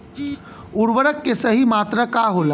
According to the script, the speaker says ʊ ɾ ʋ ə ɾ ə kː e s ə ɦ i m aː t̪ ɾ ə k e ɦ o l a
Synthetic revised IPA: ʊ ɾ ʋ ə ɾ ə kː e s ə ɦ i m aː t̪ ɾ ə k a ɦ o l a